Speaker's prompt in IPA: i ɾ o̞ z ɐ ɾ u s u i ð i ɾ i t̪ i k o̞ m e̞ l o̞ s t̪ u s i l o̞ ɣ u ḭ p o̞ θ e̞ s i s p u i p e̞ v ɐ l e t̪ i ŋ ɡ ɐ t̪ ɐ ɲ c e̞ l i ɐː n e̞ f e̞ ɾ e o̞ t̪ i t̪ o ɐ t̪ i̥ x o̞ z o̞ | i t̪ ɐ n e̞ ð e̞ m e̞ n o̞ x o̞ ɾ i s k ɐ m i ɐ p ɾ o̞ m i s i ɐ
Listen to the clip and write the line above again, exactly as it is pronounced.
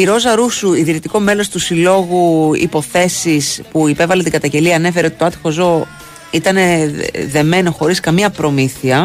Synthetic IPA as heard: i ɾ o̞ z ɐ ɾ u s u i ð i ɾ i t̪ i k o̞ m e̞ l o̞ s t̪ u s i l o̞ ɣ u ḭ p o̞ θ e̞ s i s p u i p e̞ v ɐ l e t̪ i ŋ ɡ ɐ t̪ ɐ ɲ ɟ e̞ l i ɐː n e̞ f e̞ ɾ e o̞ t̪ i t̪ o ɐ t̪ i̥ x o̞ z o̞ | i t̪ ɐ n e̞ ð e̞ m e̞ n o̞ x o̞ ɾ i s k ɐ m i ɐ p ɾ o̞ m i θ i ɐ